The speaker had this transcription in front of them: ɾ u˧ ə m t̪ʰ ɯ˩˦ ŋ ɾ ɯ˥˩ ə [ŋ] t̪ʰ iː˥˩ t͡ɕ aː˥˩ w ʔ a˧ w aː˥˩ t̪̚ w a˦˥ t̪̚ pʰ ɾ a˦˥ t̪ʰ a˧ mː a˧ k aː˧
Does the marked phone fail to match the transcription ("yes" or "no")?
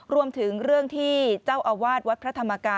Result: no